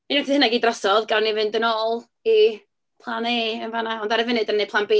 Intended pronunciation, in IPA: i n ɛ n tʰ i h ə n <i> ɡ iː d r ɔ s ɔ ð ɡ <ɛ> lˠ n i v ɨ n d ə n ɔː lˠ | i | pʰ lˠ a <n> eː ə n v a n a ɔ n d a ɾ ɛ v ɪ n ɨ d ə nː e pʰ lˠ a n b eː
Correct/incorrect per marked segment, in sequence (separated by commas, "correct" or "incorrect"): incorrect, incorrect, correct